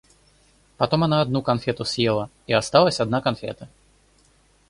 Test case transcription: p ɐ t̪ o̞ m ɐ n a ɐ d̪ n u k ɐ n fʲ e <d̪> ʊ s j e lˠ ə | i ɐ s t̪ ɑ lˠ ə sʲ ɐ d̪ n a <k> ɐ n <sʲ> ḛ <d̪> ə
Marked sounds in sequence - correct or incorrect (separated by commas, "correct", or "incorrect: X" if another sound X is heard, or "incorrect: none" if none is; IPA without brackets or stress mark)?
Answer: incorrect: t̪, correct, incorrect: fʲ, incorrect: t̪